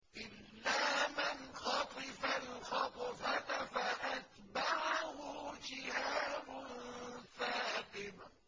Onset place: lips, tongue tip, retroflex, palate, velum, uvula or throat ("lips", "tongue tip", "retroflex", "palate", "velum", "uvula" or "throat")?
throat